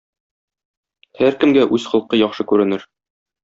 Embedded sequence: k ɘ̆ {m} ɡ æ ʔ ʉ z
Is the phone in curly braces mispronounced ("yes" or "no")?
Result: no